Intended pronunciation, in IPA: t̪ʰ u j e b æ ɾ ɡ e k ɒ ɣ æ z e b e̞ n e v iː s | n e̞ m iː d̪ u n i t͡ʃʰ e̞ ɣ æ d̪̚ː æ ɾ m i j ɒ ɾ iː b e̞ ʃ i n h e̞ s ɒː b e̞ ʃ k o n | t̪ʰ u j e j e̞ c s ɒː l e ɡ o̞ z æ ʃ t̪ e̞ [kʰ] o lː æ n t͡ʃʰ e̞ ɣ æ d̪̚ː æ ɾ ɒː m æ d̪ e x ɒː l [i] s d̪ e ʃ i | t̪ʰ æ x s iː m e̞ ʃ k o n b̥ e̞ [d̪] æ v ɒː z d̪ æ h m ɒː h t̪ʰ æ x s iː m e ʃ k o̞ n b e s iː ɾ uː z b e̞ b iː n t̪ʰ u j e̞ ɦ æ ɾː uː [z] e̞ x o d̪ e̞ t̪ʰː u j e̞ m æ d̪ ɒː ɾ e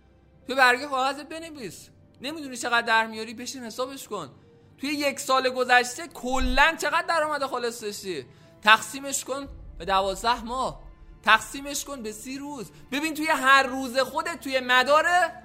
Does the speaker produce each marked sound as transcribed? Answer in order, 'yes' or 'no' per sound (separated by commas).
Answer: yes, no, yes, yes